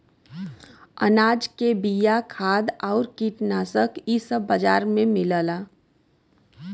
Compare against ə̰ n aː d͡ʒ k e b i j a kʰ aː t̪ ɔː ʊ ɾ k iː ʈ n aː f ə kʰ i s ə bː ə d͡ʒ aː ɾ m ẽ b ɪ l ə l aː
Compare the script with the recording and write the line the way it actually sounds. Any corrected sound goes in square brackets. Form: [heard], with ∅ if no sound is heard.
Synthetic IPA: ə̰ n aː d͡ʒ k e b i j a kʰ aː [d̪] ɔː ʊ ɾ k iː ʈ n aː [s] ə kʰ i s ə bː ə d͡ʒ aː ɾ m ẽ [m] ɪ l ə l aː